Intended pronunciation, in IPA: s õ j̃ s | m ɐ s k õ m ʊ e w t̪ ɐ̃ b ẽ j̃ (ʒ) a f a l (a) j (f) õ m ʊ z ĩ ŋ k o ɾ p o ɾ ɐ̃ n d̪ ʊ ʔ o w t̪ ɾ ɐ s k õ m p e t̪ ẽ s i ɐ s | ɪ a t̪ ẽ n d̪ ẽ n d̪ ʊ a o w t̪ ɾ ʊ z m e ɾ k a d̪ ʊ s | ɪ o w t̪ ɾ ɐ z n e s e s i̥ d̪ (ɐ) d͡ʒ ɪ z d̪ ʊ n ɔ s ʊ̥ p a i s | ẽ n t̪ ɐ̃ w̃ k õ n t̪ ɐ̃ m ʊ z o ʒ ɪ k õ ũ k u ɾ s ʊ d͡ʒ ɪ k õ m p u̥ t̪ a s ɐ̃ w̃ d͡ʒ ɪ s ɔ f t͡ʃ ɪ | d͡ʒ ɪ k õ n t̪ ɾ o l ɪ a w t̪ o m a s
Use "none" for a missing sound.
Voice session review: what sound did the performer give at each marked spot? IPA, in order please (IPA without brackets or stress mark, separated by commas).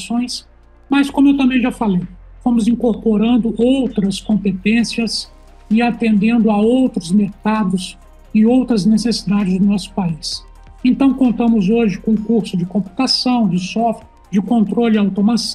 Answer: ʒ, e, f, a